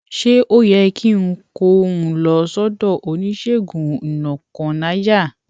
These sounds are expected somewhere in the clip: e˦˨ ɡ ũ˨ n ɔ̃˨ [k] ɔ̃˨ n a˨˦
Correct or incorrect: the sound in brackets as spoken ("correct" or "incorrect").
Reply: correct